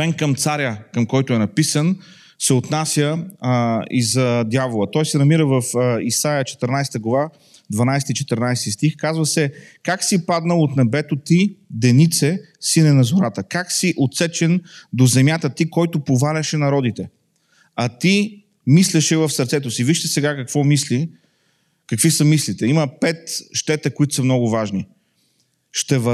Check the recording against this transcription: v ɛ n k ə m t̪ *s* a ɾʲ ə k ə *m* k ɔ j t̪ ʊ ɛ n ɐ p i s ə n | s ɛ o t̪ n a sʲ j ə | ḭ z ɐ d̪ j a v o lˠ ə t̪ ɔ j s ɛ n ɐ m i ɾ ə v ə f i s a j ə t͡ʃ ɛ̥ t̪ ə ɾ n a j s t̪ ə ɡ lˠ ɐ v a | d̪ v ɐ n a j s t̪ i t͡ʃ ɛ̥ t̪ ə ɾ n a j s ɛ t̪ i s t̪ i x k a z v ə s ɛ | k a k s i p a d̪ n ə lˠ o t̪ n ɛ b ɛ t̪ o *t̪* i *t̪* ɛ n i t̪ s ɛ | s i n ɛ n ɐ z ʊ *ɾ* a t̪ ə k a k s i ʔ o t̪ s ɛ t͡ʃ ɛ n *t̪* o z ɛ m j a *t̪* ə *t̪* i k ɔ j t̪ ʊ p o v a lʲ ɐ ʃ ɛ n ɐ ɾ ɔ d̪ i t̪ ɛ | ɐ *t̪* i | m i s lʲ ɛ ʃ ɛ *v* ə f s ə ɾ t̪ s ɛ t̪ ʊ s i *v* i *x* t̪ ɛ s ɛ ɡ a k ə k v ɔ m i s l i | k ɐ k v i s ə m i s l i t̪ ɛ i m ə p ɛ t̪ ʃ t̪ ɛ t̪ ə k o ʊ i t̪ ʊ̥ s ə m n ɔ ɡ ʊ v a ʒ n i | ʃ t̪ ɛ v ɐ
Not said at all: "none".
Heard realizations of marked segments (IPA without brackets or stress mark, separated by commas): s, m, t̪, d̪, ɾ, d̪, t̪, t̪, t̪, v, v, ʃ